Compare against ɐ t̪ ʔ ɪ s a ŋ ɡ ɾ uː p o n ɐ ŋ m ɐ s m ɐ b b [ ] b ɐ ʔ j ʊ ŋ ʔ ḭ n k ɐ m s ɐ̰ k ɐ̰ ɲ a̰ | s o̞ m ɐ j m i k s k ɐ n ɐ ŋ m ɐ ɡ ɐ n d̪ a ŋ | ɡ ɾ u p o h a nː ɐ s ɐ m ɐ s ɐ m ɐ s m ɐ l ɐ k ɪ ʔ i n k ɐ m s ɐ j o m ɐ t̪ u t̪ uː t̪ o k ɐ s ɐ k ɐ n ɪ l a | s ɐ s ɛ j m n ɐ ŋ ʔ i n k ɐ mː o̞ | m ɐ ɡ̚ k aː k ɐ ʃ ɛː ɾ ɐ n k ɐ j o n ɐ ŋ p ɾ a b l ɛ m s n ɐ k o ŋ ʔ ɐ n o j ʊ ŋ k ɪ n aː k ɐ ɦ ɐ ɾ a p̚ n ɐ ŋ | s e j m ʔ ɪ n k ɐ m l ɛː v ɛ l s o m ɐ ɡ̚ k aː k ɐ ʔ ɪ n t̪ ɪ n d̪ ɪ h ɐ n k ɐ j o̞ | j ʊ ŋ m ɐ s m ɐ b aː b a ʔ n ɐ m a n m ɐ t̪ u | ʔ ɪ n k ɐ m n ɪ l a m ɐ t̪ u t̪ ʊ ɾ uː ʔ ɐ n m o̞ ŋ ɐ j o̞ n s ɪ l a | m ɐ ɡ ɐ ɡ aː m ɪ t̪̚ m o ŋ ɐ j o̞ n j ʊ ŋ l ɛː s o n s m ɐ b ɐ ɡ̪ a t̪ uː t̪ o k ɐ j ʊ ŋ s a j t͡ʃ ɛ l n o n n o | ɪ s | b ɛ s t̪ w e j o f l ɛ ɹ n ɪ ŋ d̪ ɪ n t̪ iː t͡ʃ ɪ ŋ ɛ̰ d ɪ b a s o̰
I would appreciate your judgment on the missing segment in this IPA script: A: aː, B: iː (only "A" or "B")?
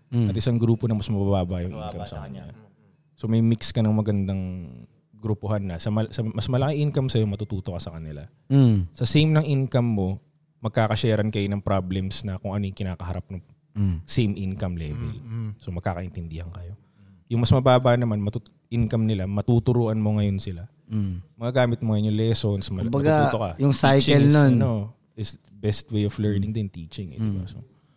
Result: A